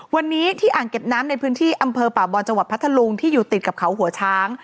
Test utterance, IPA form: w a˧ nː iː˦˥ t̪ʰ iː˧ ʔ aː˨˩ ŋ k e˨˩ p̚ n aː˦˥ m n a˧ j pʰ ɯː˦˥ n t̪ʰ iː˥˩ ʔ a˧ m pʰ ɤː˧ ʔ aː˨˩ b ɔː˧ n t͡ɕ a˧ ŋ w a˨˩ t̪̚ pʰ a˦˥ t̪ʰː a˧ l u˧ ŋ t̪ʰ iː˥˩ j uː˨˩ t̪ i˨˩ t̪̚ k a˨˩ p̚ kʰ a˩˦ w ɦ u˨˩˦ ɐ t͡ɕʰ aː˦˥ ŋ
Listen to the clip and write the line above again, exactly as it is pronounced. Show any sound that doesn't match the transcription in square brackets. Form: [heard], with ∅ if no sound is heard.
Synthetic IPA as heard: w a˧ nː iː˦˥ t̪ʰ [iː˥˩] ʔ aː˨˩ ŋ k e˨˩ p̚ n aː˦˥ m n a˧ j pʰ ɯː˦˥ n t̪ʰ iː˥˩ ʔ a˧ m pʰ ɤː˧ [p] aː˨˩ b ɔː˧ n t͡ɕ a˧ ŋ w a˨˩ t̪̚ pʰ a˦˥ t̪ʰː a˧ l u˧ ŋ t̪ʰ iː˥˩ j uː˨˩ t̪ i˨˩ t̪̚ k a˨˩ p̚ kʰ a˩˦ w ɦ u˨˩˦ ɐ t͡ɕʰ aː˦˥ ŋ